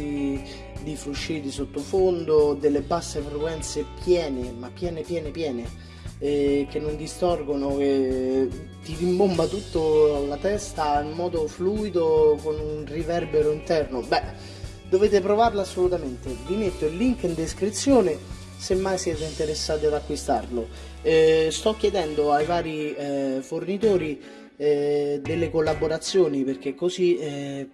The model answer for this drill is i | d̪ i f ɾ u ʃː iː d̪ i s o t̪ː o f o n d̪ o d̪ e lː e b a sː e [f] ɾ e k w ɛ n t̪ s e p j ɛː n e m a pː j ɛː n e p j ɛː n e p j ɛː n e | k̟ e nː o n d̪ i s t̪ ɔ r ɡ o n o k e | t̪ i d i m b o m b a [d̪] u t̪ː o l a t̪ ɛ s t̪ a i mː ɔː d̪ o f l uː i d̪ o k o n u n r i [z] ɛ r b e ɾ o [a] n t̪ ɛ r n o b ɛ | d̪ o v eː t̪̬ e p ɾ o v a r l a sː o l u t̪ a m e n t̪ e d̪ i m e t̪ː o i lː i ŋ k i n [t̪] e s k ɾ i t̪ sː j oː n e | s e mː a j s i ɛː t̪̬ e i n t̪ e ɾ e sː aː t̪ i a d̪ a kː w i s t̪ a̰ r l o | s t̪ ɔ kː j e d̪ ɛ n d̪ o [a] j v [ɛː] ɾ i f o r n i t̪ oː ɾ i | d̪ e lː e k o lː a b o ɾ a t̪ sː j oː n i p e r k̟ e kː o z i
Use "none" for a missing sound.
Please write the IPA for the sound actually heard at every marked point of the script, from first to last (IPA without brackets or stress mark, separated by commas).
f, t̪, v, i, d̪, a, aː